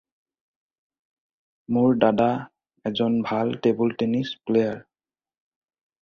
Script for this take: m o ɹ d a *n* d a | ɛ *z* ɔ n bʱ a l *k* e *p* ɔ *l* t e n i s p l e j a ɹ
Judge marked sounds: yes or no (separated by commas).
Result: no, yes, no, no, yes